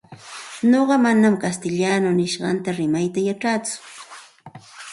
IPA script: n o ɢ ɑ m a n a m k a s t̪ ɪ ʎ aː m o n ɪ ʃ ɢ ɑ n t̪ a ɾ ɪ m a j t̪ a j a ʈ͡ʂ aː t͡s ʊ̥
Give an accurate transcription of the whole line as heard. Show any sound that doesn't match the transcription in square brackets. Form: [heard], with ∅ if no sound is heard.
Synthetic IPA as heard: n o ɢ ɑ m a n a m k a s t̪ ɪ ʎ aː [n] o n ɪ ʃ ɢ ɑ n t̪ a ɾ ɪ m a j t̪ a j a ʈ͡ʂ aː t͡s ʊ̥